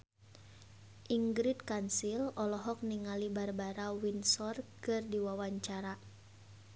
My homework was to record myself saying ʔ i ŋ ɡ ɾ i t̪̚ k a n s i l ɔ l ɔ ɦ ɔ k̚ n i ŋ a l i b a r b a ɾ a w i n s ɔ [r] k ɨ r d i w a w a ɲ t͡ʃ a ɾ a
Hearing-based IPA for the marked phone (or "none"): r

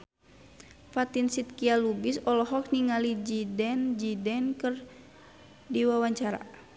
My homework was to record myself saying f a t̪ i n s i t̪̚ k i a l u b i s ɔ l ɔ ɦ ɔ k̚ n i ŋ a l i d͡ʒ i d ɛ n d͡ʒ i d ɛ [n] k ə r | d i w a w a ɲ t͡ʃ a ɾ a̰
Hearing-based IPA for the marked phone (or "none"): n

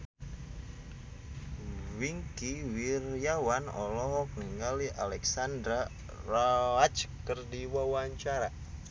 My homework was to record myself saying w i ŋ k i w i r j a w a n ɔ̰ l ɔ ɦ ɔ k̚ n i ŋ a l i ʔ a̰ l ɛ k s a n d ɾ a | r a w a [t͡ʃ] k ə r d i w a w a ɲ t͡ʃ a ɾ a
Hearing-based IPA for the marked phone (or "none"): t͡ʃ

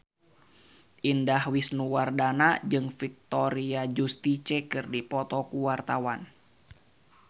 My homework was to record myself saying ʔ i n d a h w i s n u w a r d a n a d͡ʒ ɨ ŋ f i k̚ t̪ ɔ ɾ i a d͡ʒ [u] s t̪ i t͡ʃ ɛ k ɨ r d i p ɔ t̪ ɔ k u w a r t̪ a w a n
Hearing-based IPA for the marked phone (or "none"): u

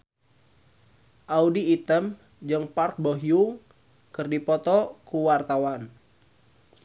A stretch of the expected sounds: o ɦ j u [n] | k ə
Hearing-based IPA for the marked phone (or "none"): ŋ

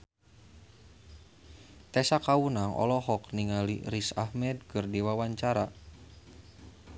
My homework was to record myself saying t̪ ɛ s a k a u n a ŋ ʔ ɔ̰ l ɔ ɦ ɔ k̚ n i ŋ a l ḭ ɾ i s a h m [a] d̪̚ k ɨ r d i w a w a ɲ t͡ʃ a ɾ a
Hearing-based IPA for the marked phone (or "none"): ɛ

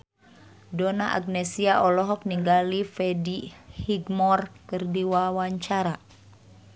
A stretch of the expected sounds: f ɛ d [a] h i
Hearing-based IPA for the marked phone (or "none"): i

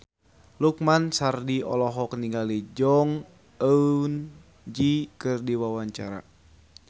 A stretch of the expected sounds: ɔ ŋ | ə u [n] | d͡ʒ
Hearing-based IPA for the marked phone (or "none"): n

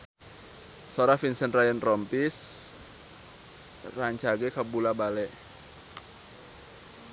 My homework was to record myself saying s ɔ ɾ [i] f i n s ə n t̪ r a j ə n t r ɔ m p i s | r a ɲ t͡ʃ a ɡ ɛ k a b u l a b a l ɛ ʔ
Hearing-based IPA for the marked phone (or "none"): a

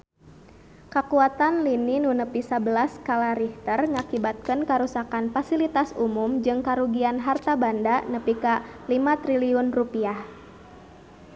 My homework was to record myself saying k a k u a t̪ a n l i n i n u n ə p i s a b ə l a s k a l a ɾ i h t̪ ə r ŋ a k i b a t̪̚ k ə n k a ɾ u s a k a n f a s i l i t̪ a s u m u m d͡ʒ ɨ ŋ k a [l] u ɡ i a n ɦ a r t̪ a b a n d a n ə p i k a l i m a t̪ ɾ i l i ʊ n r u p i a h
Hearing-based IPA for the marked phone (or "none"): ɾ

